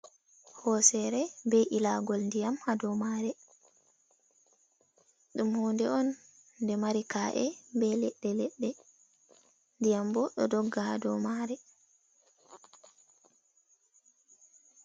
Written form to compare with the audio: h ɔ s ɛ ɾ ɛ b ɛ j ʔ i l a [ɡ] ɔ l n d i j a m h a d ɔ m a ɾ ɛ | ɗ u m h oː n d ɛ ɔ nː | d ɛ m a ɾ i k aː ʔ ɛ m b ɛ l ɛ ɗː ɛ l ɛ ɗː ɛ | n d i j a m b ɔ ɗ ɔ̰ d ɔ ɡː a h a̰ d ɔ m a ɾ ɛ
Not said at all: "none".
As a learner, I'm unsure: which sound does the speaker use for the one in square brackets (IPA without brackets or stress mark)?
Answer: ɡ